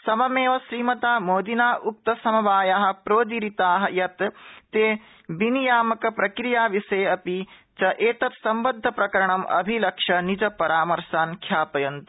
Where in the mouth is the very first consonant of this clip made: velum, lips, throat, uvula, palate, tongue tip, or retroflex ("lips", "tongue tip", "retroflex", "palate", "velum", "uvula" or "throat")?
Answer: tongue tip